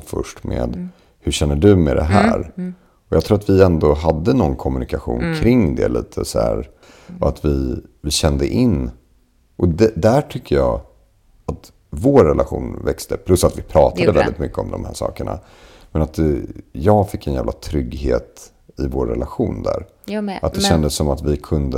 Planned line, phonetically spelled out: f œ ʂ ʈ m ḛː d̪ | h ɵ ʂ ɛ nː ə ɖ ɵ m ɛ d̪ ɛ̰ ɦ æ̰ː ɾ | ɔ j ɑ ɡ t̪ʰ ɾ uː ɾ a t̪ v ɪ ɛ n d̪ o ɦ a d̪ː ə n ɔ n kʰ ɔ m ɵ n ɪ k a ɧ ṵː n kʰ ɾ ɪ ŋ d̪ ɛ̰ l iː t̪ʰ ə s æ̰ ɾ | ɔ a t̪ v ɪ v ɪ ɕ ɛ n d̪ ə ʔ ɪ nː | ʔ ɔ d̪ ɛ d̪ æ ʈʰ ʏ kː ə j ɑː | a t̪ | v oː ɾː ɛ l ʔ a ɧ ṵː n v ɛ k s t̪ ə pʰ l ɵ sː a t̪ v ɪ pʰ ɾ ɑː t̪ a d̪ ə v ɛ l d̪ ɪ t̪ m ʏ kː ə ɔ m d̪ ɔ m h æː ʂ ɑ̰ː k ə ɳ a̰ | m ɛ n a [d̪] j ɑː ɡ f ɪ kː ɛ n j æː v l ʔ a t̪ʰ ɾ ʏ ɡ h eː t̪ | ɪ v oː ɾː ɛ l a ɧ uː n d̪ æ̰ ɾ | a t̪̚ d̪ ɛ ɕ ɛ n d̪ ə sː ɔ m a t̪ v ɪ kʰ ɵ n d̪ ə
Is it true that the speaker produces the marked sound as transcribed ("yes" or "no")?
no